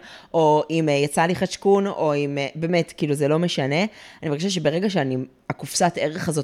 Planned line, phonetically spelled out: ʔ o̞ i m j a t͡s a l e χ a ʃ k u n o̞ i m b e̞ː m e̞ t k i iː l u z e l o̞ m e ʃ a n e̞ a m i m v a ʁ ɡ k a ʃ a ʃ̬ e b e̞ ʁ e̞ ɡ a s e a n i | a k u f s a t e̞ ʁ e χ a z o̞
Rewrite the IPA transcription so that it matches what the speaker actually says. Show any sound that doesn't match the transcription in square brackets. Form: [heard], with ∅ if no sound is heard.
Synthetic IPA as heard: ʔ o̞ i m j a t͡s a l [i] χ a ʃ k u n o̞ i m b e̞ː m e̞ t k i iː l u z e l o̞ m e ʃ a n e̞ a [n] i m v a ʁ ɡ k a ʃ a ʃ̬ e b e̞ ʁ e̞ ɡ a [ʃ] e a n i | a k u f s a t e̞ ʁ e χ a z o̞